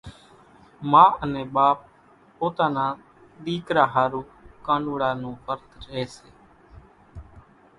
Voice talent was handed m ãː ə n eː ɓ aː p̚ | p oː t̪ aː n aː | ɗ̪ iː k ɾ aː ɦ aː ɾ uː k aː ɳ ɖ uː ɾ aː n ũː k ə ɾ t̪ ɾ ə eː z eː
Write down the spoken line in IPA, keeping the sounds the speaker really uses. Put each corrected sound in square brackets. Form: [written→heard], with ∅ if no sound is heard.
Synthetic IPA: m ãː ə n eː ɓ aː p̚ | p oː t̪ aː n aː | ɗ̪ iː k ɾ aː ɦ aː ɾ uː k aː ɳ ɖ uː [ɾ→ɽ] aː n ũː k ə ɾ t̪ ɾ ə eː [z→s] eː